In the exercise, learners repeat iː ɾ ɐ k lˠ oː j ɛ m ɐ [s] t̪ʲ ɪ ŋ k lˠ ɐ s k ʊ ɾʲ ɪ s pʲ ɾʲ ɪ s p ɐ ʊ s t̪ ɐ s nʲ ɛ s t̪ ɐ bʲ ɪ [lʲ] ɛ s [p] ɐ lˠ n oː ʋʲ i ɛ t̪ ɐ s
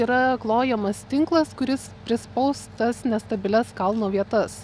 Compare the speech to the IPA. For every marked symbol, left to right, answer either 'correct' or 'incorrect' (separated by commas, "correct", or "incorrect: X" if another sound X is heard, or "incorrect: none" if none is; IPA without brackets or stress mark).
correct, correct, incorrect: k